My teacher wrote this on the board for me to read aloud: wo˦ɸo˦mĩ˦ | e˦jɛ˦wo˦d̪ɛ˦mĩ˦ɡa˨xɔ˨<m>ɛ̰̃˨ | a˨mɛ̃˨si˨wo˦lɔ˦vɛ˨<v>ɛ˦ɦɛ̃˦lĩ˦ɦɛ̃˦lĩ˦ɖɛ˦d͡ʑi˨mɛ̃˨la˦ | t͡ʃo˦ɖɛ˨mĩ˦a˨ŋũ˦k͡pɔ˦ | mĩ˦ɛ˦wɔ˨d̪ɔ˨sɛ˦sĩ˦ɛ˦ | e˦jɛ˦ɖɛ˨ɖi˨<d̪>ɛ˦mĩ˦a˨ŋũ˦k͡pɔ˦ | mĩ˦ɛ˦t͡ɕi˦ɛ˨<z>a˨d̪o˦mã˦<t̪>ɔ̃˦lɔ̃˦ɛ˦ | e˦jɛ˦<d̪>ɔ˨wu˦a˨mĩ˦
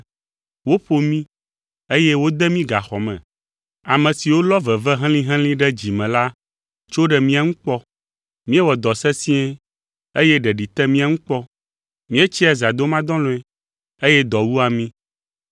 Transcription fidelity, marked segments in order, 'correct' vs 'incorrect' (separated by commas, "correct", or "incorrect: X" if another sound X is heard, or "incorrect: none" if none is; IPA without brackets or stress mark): correct, correct, incorrect: t̪, correct, incorrect: d̪, correct